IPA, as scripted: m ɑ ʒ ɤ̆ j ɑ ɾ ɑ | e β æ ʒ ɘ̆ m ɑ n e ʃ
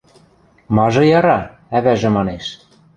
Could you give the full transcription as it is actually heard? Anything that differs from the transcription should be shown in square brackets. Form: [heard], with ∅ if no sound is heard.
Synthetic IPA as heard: m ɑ ʒ ɤ̆ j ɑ ɾ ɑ | [æ] β æ ʒ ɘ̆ m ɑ n e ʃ